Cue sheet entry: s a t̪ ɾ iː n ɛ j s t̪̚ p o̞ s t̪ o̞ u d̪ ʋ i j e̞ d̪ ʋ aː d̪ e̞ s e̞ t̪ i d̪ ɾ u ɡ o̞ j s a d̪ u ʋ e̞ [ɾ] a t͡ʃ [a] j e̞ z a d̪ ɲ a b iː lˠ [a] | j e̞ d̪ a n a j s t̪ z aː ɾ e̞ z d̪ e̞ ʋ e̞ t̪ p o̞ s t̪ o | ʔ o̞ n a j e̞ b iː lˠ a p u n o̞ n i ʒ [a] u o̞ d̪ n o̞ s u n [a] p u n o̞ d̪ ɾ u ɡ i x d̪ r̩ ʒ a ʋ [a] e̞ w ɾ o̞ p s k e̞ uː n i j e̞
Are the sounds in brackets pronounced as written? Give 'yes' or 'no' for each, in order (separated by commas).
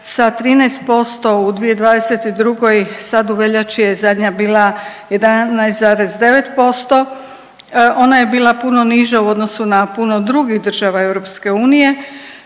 no, no, yes, yes, yes, yes